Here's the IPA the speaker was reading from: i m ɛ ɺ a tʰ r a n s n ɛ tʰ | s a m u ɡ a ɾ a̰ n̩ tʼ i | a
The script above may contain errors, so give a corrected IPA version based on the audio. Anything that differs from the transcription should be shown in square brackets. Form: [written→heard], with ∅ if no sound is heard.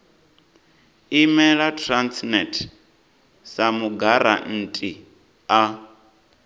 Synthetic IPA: i m ɛ ɺ a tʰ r a n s n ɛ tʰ | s a m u ɡ a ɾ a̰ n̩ tʼ i | a